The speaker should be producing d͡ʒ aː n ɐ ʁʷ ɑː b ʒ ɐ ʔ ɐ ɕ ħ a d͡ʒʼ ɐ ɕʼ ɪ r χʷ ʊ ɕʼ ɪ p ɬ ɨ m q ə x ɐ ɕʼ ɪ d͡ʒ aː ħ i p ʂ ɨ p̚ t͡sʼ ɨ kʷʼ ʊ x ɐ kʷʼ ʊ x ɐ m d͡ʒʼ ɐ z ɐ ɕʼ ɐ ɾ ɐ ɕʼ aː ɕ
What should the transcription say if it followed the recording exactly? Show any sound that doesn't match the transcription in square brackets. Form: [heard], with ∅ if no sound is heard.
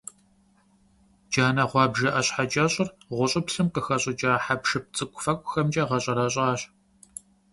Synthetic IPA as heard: d͡ʒ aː n ɐ ʁʷ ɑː b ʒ ɐ ʔ ɐ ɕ ħ a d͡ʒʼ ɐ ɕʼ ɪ r [ʁʷ] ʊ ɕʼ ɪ p ɬ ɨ m q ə x ɐ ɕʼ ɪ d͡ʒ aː ħ [a] p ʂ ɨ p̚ t͡sʼ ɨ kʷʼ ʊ [f] ɐ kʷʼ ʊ x ɐ m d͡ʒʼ ɐ [ʁ] ɐ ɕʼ ɐ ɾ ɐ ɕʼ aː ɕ